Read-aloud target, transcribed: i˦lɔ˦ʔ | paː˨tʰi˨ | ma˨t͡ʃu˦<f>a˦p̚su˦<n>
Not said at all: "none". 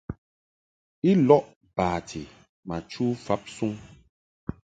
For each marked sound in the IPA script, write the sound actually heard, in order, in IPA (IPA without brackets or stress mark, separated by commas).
f, ŋ